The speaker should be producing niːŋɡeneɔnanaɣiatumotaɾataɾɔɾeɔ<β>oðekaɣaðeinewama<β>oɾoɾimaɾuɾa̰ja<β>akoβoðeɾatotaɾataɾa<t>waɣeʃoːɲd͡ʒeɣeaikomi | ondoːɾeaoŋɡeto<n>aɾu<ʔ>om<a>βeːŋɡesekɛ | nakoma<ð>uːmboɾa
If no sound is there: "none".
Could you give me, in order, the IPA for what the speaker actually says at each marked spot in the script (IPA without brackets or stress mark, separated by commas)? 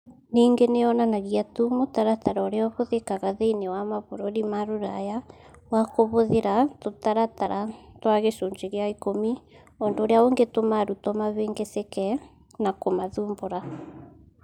β, β, w, t, m, t, a, ð